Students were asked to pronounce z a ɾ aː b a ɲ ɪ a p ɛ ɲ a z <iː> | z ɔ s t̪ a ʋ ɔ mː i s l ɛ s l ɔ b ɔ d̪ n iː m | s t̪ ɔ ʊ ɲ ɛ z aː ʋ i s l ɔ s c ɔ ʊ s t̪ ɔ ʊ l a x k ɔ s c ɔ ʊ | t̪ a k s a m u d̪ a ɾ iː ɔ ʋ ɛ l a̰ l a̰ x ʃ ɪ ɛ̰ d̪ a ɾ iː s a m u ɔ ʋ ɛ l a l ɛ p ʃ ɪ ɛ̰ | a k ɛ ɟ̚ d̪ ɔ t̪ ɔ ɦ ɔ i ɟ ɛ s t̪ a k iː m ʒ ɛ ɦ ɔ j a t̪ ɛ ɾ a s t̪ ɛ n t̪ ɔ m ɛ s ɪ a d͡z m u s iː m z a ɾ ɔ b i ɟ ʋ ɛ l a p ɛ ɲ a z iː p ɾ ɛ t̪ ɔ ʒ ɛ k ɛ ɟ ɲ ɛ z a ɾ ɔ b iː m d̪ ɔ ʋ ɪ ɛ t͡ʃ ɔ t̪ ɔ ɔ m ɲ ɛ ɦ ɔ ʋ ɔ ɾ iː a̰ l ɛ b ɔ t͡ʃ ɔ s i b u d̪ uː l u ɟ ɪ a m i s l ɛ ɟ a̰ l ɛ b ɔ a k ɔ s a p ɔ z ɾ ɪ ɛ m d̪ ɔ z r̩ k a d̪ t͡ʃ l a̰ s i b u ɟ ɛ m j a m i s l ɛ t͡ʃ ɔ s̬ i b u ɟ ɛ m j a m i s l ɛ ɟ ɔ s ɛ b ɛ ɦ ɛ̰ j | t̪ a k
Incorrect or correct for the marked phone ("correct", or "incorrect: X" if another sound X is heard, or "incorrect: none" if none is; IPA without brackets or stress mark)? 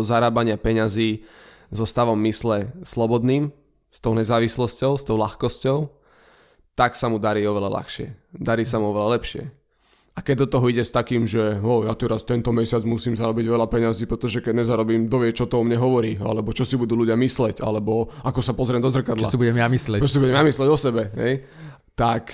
correct